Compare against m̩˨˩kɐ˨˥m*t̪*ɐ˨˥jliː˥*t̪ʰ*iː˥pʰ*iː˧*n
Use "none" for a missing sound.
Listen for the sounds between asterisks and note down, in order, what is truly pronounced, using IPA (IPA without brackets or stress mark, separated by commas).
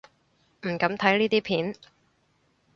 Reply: t̪ʰ, t̪, iː˨˥